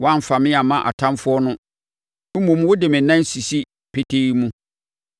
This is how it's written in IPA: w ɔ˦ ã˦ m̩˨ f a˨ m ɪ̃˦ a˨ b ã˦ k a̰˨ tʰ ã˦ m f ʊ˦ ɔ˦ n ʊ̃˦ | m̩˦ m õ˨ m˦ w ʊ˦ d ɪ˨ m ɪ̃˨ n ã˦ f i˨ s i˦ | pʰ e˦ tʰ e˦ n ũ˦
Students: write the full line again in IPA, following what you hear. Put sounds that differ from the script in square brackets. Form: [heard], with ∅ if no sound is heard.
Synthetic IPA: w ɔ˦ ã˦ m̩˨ f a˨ m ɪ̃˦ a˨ [m] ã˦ [ʔ] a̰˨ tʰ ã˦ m f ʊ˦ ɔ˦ n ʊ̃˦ | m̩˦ m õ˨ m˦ w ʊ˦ d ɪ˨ m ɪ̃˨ n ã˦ [s] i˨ s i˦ | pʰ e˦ tʰ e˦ [m] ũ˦